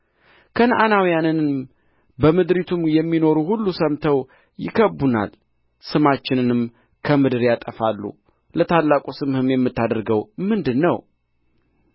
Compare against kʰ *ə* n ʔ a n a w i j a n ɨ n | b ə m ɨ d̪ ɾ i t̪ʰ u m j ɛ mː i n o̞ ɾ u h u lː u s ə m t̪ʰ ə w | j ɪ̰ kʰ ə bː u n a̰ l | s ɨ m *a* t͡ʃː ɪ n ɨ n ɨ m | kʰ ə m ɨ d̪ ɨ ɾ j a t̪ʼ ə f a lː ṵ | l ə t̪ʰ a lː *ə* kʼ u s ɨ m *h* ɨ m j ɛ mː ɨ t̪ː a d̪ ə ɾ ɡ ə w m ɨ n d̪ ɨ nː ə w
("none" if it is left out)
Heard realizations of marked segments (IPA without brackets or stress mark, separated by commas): ə, a, a, h